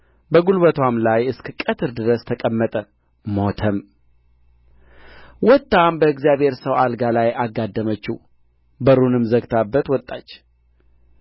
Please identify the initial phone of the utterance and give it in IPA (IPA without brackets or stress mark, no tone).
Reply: b